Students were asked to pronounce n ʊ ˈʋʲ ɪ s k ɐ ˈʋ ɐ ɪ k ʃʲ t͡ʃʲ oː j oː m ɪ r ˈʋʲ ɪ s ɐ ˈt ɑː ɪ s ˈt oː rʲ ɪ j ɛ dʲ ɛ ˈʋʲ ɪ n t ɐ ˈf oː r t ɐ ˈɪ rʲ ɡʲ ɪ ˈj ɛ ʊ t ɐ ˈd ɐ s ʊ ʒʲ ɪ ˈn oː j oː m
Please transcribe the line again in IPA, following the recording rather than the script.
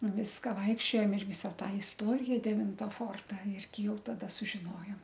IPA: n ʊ ˈʋʲ ɪ s k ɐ ˈʋ ɐ ɪ k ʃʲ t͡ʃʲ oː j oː m ɪ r ˈʋʲ ɪ s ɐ ˈt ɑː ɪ s ˈt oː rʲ ɪ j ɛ dʲ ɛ ˈʋʲ ɪ n t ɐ ˈf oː r t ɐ ˈɪ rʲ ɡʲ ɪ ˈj ɛ ʊ t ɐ ˈd ɐ s ʊ ʒʲ ɪ ˈn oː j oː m